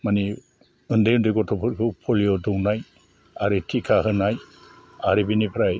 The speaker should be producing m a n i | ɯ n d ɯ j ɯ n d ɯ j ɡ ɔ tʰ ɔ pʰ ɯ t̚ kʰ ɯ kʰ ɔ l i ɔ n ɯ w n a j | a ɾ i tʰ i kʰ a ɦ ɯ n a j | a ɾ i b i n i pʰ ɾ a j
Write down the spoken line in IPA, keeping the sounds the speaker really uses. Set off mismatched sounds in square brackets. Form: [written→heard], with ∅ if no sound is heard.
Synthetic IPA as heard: m a n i | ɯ n d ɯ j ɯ n d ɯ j ɡ ɔ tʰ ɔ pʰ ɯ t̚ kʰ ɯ [kʰ→pʰ] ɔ l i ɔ [n→d] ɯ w n a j | a ɾ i tʰ i kʰ a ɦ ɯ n a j | a ɾ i b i n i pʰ ɾ a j